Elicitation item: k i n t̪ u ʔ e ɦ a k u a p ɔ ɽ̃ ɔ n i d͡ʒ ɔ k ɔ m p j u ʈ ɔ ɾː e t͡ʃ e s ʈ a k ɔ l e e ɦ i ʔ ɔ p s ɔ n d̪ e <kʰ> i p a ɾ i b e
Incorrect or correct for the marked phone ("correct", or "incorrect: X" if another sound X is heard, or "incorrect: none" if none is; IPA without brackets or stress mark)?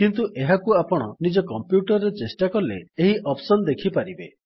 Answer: correct